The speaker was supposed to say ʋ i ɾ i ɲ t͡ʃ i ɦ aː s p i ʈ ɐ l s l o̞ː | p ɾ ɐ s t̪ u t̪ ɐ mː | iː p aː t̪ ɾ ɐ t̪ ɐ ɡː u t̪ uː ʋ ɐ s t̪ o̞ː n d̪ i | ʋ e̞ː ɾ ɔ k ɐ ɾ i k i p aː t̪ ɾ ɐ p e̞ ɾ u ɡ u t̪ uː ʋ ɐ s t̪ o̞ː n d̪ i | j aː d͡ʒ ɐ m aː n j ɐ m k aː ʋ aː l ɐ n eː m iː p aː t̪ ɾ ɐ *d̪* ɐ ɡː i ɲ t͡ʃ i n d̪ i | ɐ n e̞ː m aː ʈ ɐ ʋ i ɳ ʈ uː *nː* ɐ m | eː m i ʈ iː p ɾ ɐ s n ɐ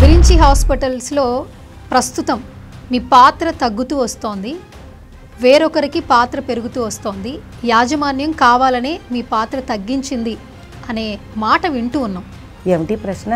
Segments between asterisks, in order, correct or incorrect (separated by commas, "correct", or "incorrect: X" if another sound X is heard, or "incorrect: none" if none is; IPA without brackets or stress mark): incorrect: t̪, correct